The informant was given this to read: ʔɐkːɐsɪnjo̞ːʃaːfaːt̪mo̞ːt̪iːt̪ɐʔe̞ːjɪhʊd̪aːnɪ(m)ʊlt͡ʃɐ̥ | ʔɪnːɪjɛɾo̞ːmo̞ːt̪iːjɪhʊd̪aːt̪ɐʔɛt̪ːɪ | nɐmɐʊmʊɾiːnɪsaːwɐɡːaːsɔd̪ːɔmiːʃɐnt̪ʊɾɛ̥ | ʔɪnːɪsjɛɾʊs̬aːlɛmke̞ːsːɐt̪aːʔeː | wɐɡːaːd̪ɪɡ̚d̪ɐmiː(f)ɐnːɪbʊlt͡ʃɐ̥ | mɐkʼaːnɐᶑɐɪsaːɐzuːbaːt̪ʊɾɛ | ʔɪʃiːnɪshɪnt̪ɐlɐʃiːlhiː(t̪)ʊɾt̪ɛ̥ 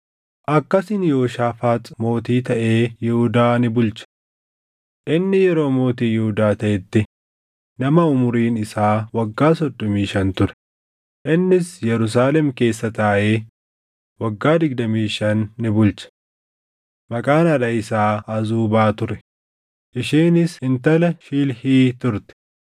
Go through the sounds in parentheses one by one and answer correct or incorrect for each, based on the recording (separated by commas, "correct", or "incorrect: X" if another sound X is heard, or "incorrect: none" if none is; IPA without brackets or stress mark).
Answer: incorrect: b, incorrect: ʃ, correct